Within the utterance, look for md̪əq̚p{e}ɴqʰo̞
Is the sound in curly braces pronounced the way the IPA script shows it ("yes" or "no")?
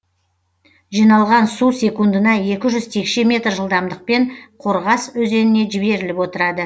yes